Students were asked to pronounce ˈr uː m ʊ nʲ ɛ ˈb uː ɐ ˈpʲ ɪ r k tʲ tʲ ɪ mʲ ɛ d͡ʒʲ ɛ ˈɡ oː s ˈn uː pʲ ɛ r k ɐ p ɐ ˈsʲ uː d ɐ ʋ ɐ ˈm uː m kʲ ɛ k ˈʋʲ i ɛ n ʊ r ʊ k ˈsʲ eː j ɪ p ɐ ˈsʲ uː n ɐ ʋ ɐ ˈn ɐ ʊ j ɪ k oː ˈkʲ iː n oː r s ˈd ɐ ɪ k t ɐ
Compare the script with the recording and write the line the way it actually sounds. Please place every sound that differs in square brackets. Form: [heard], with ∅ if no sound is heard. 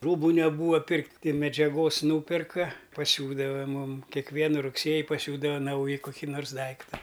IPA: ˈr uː [b] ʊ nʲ ɛ ˈb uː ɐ ˈpʲ ɪ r k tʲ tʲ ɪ mʲ ɛ d͡ʒʲ ɛ ˈɡ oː s ˈn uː pʲ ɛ r k ɐ p ɐ ˈsʲ uː d ɐ ʋ ɐ ˈm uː m kʲ ɛ k ˈʋʲ i ɛ n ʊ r ʊ k ˈsʲ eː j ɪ p ɐ ˈsʲ uː [d] ɐ ʋ ɐ ˈn ɐ ʊ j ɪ k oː ˈkʲ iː n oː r s ˈd ɐ ɪ k t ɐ

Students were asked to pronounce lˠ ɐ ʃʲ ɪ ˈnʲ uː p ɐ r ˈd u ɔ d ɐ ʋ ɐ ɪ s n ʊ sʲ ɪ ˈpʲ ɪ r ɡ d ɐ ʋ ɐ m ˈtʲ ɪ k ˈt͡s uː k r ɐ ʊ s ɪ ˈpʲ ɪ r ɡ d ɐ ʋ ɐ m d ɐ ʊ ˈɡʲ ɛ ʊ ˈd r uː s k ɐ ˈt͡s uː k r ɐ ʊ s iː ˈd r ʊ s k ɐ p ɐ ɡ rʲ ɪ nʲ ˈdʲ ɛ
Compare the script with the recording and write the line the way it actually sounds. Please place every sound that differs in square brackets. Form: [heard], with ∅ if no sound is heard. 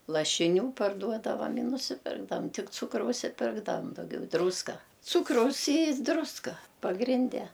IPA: lˠ ɐ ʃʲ ɪ ˈnʲ uː p ɐ r ˈd u ɔ d ɐ ʋ ɐ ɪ [∅] n ʊ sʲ ɪ ˈpʲ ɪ r ɡ d ɐ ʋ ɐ m ˈtʲ ɪ k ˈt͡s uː k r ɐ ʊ s ɪ ˈpʲ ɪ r ɡ d ɐ ʋ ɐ m d ɐ ʊ ˈɡʲ ɛ ʊ ˈd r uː s k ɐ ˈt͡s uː k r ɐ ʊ s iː ˈd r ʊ s k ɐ p ɐ ɡ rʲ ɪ nʲ ˈdʲ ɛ

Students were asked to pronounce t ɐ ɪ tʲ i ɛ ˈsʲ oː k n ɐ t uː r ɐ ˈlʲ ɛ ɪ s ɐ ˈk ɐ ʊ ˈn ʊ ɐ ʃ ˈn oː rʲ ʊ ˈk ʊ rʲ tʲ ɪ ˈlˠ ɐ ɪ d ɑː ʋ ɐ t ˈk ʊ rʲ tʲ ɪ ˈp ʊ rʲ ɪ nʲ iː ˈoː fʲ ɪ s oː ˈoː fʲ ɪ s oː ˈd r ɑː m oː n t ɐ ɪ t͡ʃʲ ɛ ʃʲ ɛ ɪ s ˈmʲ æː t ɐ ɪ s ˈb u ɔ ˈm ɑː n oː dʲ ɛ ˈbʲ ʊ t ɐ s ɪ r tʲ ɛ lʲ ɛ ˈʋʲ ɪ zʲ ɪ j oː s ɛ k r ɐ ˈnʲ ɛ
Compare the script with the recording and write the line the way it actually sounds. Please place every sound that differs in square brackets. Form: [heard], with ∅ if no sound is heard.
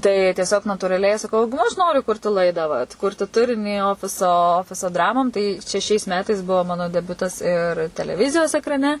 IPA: t ɐ ɪ tʲ i ɛ ˈsʲ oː k n ɐ t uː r ɐ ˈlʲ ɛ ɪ s ɐ ˈk ɐ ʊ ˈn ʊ ɐ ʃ ˈn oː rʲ ʊ ˈk ʊ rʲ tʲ ɪ ˈlˠ ɐ ɪ d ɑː ʋ ɐ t ˈk ʊ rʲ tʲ ɪ [ˈt] ʊ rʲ ɪ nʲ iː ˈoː fʲ ɪ s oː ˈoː fʲ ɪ s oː ˈd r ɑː m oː [m] t ɐ ɪ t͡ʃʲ ɛ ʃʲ ɛ ɪ s ˈmʲ æː t ɐ ɪ s ˈb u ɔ ˈm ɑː n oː dʲ ɛ ˈbʲ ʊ t ɐ s ɪ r tʲ ɛ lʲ ɛ ˈʋʲ ɪ zʲ ɪ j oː s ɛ k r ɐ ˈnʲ ɛ

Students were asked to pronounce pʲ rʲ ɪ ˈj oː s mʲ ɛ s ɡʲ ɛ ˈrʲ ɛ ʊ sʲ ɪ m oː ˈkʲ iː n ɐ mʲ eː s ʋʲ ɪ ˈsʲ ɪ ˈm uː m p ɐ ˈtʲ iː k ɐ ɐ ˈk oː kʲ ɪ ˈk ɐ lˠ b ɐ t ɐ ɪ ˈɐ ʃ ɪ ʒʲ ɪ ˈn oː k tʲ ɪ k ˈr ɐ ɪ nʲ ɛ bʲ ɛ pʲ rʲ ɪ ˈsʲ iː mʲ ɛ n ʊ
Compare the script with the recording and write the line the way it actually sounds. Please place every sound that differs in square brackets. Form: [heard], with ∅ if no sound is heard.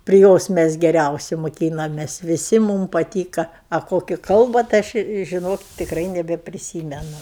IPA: pʲ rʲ ɪ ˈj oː s mʲ ɛ s ɡʲ ɛ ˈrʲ ɛ ʊ sʲ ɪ m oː ˈkʲ iː n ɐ mʲ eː s ʋʲ ɪ ˈsʲ ɪ ˈm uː m p ɐ ˈtʲ iː k ɐ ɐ ˈk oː kʲ ɪ ˈk ɐ lˠ b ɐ t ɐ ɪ ˈɐ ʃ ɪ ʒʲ ɪ ˈn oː k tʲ ɪ k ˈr ɐ ɪ nʲ ɛ bʲ ɛ pʲ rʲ ɪ ˈsʲ iː mʲ ɛ n ʊ

